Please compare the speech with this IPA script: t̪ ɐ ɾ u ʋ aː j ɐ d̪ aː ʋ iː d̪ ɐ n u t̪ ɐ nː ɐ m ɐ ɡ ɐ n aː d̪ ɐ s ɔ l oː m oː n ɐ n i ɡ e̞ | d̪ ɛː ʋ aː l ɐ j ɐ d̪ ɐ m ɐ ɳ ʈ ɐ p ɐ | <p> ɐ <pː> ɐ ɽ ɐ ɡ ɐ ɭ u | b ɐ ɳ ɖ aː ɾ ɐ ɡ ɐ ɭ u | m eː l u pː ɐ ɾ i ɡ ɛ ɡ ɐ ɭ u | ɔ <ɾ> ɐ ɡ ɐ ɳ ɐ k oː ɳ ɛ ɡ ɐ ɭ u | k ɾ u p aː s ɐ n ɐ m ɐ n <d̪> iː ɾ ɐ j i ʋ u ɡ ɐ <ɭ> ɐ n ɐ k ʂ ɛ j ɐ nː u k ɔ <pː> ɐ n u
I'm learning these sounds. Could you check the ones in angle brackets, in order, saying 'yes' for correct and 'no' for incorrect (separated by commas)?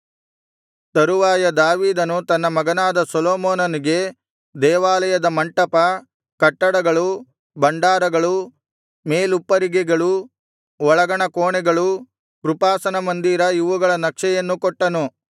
no, no, no, yes, yes, no